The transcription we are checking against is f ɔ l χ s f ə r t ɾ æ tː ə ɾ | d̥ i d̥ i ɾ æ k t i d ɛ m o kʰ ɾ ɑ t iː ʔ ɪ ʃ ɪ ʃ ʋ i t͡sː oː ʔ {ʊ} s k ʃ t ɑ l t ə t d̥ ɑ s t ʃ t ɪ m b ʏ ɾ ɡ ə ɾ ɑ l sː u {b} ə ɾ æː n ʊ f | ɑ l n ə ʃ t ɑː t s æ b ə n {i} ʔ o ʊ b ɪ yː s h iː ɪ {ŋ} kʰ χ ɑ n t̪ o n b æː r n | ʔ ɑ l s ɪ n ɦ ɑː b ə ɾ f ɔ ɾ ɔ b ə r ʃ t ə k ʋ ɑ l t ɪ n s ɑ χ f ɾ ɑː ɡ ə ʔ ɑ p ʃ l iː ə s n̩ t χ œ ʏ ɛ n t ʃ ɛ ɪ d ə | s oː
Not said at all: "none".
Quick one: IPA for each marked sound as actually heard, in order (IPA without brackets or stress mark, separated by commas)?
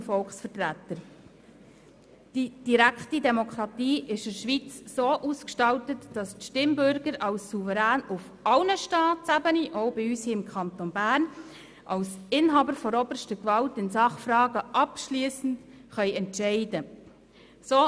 u, v, i, m